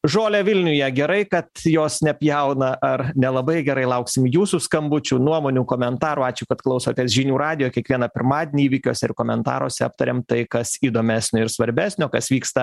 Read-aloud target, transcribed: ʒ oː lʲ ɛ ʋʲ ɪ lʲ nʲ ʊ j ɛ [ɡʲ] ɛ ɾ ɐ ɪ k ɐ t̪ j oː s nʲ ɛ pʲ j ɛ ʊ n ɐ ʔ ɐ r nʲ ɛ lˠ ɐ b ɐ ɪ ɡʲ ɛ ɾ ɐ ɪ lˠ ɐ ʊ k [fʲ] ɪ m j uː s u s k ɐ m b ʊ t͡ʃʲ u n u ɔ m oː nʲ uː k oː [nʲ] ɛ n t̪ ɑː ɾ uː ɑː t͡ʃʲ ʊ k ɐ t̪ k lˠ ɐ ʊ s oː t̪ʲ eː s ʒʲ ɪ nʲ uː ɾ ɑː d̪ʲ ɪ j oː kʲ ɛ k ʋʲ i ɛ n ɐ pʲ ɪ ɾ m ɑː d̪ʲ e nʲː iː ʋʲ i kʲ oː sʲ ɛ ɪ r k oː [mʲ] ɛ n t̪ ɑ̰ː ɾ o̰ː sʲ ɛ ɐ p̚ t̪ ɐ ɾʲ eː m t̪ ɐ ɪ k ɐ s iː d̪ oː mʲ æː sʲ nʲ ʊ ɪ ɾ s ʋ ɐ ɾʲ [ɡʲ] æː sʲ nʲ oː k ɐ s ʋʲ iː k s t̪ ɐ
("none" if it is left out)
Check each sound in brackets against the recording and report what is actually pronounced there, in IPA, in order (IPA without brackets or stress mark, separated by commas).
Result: ɡʲ, sʲ, mʲ, mʲ, bʲ